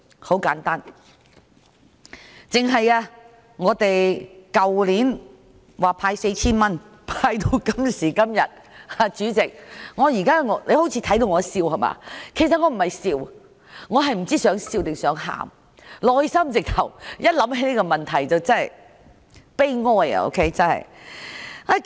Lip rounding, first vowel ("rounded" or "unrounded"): rounded